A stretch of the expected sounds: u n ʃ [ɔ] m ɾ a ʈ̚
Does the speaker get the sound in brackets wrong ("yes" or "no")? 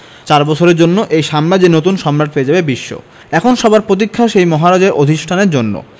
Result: no